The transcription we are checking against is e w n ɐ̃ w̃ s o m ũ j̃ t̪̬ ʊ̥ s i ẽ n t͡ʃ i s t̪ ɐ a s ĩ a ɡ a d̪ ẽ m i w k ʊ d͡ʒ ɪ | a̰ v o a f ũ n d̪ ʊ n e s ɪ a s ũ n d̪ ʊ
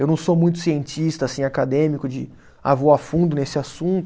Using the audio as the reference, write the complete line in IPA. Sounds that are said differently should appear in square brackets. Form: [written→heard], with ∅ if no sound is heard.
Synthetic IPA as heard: e w n ɐ̃ w̃ s o m ũ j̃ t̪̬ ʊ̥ s i ẽ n t͡ʃ i s t̪ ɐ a s ĩ a [ɡ→k] a d̪ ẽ m i [w→∅] k ʊ d͡ʒ ɪ | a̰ v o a f ũ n d̪ ʊ n e s ɪ a s ũ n [d̪→t̪] ʊ